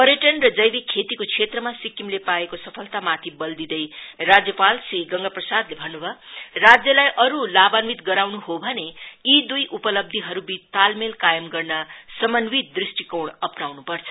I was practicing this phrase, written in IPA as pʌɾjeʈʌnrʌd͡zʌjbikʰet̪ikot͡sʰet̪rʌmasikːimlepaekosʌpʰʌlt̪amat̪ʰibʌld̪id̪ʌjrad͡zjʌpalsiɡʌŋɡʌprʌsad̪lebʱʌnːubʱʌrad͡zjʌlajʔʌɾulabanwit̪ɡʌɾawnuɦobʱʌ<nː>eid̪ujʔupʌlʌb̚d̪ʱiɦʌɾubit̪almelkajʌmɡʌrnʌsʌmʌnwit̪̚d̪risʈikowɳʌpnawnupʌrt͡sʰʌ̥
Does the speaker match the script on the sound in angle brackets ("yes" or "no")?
no